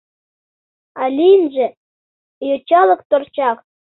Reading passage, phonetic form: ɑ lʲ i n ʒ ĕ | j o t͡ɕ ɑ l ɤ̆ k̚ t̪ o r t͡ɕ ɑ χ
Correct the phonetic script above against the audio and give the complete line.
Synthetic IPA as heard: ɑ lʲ i n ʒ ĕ | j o t͡ɕ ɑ l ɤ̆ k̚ t̪ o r t͡ɕ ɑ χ